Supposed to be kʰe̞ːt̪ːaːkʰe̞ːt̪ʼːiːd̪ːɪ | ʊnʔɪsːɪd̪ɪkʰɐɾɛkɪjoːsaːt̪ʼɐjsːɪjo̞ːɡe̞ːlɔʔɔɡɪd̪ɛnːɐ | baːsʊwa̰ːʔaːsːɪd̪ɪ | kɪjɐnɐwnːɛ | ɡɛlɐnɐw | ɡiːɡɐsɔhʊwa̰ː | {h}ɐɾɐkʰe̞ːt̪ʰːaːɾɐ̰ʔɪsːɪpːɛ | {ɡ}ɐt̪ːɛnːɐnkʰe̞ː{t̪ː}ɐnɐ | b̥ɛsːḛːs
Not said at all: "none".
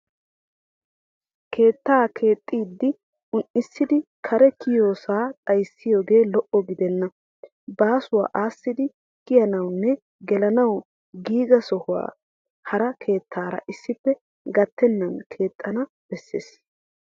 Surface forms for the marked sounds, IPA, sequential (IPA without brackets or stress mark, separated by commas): h, ɡ, t̪ʼː